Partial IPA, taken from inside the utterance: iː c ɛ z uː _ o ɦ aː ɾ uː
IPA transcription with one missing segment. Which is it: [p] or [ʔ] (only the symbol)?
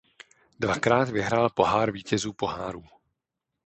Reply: p